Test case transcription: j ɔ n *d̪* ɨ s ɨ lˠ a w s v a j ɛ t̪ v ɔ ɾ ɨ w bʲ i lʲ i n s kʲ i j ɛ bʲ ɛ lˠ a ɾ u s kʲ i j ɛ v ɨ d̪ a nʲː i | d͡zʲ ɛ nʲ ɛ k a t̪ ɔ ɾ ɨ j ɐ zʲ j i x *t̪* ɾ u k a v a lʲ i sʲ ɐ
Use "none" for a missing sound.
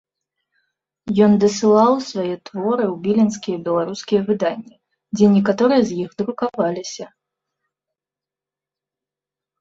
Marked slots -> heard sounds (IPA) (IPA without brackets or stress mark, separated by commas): d̪, d̪